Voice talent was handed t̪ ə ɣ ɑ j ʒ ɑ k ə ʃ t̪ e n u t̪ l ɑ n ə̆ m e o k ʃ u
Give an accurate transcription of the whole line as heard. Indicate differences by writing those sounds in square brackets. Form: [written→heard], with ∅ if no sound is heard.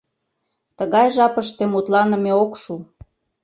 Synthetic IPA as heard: t̪ ə ɣ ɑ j ʒ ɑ [k→p] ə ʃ t̪ e [n→m] u t̪ l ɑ n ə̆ m e o k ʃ u